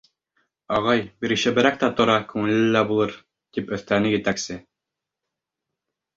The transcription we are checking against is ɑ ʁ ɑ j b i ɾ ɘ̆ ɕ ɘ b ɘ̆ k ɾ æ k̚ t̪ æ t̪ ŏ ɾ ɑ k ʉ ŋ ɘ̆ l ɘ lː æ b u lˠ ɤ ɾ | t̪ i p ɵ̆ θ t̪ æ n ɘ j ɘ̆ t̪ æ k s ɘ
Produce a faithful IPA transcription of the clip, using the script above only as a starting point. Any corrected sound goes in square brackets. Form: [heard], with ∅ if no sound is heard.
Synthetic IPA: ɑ ʁ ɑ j b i ɾ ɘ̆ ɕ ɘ b ɘ̆ [∅] ɾ æ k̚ t̪ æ t̪ ŏ ɾ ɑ k ʉ ŋ ɘ̆ l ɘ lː æ b u lˠ ɤ ɾ | t̪ i p ɵ̆ θ t̪ æ n ɘ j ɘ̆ t̪ æ k s ɘ